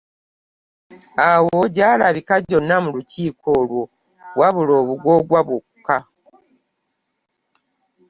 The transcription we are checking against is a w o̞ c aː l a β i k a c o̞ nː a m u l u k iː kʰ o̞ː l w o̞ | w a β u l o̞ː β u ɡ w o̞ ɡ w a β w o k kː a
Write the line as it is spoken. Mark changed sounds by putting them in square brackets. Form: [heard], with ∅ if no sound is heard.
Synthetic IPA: a w o̞ [ɟ] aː l a β i k a [ɟ] o̞ nː a m u l u [c] iː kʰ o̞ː l w o̞ | w a β u l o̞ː β u ɡ w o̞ ɡ w a β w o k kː a